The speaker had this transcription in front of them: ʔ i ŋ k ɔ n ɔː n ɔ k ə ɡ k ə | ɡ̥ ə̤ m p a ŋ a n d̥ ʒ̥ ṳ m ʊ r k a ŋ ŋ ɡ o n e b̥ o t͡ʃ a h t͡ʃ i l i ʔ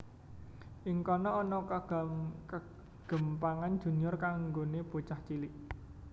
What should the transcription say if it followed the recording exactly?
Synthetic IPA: ʔ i ŋ k ɔ n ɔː n ɔ k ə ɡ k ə | ɡ̥ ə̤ m p a ŋ a n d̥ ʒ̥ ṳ n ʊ r k a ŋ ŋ ɡ o n e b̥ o t͡ʃ a h t͡ʃ i l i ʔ